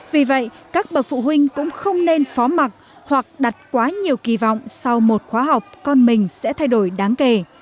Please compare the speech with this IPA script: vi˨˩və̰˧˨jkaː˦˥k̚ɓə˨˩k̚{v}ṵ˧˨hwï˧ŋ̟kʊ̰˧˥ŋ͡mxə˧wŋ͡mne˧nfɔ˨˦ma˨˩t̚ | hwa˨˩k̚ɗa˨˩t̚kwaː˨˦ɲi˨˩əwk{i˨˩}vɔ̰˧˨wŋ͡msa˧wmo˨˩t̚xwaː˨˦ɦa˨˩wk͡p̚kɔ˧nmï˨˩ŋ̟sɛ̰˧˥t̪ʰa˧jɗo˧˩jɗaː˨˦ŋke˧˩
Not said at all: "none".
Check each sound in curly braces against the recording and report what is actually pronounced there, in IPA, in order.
f, i˨˩

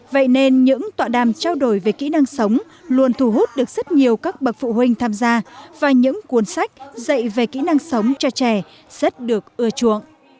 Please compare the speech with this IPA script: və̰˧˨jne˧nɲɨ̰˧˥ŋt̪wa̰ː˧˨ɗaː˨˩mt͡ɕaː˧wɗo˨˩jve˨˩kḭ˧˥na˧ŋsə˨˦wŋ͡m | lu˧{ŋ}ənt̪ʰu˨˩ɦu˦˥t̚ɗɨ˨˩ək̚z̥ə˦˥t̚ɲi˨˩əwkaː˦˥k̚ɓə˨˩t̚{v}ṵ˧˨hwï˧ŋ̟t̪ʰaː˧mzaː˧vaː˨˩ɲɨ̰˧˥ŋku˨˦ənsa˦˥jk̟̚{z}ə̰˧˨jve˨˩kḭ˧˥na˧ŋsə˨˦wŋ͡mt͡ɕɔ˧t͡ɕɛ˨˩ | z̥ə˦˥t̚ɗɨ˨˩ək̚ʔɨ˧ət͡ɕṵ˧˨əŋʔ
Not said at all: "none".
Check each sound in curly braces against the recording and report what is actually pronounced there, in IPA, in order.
none, f, z

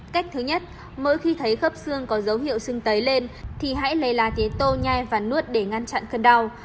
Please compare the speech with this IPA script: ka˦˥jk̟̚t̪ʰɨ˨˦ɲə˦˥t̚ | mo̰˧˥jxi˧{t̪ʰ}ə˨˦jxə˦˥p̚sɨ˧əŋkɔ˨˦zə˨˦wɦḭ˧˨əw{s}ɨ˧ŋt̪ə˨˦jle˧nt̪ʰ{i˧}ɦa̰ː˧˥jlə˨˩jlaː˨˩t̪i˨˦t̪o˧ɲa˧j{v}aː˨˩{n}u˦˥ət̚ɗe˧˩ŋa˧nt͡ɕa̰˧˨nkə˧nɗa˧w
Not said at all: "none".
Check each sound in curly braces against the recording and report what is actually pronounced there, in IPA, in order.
t̪ʰ, s, i˨˩, v, n

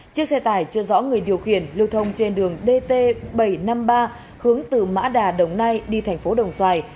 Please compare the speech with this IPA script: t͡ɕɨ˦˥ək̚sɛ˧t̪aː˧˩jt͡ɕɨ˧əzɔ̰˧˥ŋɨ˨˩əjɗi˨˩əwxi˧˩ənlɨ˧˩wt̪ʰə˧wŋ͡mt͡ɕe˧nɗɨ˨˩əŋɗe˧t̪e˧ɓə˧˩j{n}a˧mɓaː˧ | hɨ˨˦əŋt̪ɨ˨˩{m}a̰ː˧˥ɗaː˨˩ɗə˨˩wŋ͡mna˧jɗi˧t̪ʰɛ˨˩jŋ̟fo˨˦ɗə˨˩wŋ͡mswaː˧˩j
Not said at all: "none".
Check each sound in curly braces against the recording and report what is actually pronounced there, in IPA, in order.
n, m

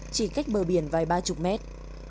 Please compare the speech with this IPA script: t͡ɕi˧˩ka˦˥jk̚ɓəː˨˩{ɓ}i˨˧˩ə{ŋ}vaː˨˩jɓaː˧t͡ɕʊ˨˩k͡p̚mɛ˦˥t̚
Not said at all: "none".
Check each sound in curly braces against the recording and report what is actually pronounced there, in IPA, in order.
ɓ, n

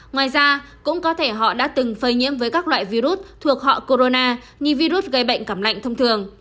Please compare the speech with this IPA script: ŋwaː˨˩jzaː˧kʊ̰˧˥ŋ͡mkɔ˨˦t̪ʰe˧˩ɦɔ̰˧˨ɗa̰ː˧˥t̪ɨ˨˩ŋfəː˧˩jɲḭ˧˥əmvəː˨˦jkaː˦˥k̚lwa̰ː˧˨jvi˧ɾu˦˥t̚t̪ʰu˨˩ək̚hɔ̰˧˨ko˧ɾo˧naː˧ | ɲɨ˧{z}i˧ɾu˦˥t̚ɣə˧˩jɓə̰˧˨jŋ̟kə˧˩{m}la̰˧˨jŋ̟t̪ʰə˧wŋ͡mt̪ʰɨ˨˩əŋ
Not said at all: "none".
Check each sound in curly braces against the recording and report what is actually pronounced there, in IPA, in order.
v, m

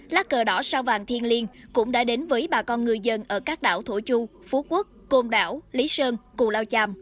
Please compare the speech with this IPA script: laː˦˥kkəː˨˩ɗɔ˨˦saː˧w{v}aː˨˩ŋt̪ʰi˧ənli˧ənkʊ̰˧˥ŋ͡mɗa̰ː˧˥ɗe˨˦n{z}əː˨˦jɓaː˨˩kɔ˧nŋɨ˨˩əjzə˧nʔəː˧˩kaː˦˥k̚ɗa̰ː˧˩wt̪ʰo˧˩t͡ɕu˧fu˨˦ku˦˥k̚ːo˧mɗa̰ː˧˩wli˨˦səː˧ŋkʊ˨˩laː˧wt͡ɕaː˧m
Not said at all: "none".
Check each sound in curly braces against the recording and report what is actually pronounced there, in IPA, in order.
v, v

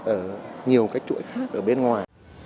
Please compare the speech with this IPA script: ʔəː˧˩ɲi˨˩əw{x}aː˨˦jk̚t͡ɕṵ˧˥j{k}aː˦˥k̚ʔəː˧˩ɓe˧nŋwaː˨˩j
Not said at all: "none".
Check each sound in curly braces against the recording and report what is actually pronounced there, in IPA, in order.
k, x

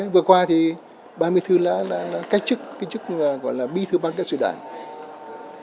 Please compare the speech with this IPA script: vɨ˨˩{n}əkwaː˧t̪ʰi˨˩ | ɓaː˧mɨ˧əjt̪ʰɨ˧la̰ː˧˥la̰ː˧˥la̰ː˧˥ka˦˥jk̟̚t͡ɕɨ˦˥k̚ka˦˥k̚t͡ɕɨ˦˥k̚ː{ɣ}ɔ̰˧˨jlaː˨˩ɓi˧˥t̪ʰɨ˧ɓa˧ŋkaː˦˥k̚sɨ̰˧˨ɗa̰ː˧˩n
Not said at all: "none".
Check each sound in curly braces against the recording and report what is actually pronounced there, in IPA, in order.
none, ɣ

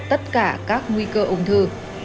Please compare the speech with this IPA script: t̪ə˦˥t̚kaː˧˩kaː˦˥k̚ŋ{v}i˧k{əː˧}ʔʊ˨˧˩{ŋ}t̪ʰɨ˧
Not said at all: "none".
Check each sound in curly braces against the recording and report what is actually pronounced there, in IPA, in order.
w, əː˧, ŋ͡m

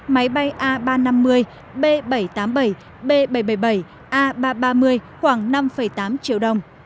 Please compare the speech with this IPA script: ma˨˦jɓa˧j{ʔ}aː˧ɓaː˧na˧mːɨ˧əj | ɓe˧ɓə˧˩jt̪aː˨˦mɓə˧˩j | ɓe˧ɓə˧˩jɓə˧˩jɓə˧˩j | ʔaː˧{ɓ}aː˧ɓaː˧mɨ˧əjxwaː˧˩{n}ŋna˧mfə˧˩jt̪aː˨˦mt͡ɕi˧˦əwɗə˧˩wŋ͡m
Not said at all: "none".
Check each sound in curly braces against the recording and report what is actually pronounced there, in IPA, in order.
ʔ, ɓ, none

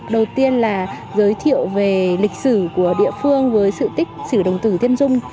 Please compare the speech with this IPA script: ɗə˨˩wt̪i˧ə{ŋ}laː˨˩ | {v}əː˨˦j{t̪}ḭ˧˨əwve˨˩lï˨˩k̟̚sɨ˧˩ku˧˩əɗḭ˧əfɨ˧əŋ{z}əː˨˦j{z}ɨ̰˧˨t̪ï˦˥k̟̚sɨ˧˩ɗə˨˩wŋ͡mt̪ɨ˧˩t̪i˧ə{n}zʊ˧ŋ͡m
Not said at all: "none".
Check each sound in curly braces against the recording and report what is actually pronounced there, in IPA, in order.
n, z, t̪ʰ, v, s, n

